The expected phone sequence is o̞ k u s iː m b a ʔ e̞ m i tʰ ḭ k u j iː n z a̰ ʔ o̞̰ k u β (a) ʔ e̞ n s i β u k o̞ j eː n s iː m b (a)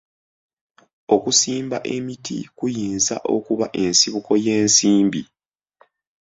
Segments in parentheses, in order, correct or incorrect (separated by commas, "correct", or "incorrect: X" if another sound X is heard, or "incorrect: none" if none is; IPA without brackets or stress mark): correct, incorrect: i